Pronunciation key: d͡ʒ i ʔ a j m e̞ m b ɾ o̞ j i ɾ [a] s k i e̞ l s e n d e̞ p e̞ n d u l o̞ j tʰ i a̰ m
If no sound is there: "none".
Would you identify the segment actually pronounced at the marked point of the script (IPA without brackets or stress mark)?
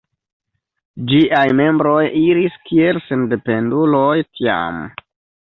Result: i